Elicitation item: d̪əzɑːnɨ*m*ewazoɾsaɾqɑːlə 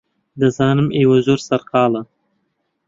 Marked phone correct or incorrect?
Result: correct